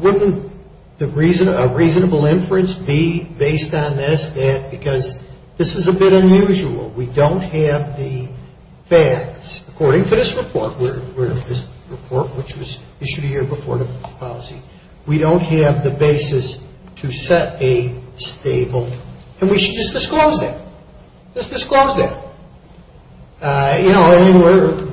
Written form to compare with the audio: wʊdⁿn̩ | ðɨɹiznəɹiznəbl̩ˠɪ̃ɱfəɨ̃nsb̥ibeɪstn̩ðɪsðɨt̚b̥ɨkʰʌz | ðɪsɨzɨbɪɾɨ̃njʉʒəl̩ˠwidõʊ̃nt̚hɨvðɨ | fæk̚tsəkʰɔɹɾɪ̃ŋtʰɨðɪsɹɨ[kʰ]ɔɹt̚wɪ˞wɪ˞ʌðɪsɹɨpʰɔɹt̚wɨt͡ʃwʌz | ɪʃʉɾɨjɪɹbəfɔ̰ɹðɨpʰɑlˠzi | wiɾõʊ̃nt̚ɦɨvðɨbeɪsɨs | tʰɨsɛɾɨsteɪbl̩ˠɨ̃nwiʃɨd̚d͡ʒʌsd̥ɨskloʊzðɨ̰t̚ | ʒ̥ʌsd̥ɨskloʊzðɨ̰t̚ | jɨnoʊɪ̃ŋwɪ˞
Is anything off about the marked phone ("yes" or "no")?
yes